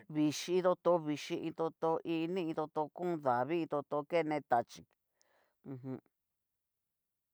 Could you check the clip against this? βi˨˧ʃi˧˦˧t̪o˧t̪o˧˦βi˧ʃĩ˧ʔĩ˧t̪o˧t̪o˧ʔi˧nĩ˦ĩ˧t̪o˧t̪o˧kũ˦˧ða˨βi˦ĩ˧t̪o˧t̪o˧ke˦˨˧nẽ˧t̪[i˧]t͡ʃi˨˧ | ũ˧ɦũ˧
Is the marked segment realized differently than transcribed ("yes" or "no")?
yes